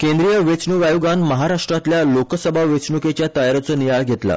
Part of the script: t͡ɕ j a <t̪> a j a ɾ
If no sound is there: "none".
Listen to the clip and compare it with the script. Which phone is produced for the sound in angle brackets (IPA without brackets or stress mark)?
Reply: t̪